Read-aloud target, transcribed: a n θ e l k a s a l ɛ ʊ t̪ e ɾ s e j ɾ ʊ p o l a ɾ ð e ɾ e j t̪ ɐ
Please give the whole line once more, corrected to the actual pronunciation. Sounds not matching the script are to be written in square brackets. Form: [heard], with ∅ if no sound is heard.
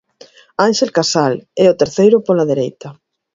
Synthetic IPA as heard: a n [ʃ] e l k a s a l ɛ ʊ t̪ e ɾ [θ] e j ɾ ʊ p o l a [∅] ð e ɾ e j t̪ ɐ

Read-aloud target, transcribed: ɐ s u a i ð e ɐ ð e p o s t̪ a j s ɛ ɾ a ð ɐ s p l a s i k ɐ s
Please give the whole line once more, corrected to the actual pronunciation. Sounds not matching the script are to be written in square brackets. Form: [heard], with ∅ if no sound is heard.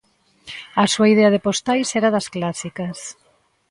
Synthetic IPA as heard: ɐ s u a i ð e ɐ ð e p o s t̪ a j s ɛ ɾ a ð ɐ s [k] l a s i k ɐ s

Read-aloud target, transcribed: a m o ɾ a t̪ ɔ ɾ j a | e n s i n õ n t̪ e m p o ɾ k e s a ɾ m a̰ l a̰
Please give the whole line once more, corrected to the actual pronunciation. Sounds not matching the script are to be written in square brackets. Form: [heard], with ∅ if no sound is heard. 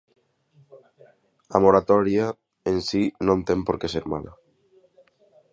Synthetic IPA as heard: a m o ɾ a t̪ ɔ ɾ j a | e n s i n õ n t̪ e m p o ɾ k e s [e] ɾ m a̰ l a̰

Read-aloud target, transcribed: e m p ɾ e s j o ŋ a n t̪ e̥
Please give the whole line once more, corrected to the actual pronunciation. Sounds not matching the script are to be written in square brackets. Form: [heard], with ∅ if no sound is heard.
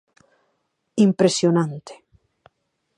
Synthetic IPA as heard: [i] m p ɾ e s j o [n] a n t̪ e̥

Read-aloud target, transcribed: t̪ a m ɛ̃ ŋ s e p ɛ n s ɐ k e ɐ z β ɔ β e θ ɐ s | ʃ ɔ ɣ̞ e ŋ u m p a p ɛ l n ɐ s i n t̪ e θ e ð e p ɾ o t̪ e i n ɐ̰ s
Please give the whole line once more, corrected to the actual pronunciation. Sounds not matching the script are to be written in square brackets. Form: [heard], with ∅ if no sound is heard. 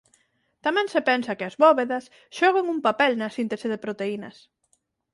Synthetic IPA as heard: t̪ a m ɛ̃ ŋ s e p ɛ n s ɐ k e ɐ z β ɔ β e [ð] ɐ s | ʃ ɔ ɣ̞ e ŋ u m p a p ɛ l n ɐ s i n t̪ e [s] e ð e p ɾ o t̪ e i n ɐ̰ s

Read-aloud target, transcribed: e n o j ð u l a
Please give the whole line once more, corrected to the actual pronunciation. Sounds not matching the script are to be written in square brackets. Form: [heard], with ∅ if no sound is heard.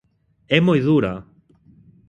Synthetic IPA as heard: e [m] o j ð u [ɾ] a

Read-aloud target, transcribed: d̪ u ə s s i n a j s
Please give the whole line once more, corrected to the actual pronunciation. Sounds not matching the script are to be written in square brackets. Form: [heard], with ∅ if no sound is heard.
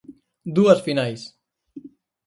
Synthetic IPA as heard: d̪ u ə s [f] i n a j s

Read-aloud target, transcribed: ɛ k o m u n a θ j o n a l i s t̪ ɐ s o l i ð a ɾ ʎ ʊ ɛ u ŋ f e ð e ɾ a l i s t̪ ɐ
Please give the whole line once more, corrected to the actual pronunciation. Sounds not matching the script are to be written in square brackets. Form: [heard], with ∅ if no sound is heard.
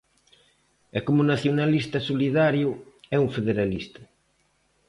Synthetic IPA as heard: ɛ k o m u n a θ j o n a l i s t̪ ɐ s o l i ð a ɾ [j] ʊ ɛ u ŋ f e ð e ɾ a l i s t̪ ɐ

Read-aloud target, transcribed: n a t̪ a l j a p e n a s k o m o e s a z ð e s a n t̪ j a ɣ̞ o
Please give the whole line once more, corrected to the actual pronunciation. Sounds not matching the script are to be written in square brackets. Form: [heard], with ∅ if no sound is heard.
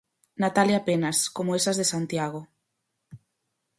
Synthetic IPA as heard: n a t̪ a l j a p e n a s k o m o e s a z ð e s a n t̪ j a ɣ̞ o

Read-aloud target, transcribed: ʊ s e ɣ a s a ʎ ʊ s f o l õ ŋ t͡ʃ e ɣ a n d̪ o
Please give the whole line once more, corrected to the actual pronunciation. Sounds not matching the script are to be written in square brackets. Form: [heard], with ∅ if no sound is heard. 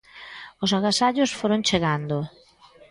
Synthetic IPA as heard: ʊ s [a] ɣ a s a ʎ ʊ s f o [ɾ] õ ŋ t͡ʃ e ɣ a n d̪ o

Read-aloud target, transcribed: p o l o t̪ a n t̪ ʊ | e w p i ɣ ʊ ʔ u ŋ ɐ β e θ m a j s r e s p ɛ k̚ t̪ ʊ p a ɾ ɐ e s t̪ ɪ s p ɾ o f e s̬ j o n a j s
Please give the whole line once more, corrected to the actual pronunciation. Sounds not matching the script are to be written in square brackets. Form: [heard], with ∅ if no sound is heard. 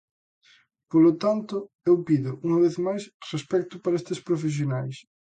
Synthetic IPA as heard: p o l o t̪ a n t̪ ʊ | e w p i [ð] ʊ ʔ u ŋ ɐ β e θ m a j s r e s p ɛ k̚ t̪ ʊ p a ɾ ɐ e s t̪ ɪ s p ɾ o f e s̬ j o n a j s

